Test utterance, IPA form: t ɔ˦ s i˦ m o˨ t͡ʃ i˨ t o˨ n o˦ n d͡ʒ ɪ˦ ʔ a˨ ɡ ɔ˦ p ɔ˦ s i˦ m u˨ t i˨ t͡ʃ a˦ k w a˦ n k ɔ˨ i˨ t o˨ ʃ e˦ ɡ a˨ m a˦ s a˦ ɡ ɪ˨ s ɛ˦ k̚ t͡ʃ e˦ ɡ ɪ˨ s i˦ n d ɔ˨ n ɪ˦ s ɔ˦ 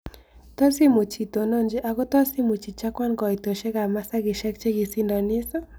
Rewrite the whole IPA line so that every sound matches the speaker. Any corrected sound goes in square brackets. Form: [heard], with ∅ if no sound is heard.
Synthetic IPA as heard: t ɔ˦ s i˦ m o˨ t͡ʃ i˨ t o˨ n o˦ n d͡ʒ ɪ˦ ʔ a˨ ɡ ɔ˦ [t] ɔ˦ s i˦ m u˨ [t͡ʃ] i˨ t͡ʃ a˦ k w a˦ n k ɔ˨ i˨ t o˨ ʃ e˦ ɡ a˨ m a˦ s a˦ ɡ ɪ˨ [ʃ] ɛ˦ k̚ t͡ʃ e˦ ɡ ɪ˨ s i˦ n d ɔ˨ n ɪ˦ s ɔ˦